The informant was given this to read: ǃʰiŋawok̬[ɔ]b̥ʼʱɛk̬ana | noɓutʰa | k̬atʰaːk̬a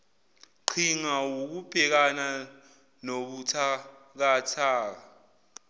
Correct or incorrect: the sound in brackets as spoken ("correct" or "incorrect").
incorrect